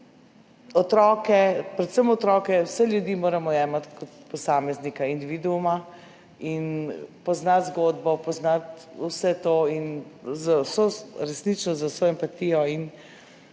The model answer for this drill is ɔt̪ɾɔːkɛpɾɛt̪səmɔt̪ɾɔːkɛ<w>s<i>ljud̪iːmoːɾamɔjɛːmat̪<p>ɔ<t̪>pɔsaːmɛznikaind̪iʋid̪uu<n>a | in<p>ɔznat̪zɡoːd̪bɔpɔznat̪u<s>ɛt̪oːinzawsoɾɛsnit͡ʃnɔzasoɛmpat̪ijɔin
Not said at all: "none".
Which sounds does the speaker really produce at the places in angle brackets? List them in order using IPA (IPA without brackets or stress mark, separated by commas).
w, ɛ, k, t̪, m, p, s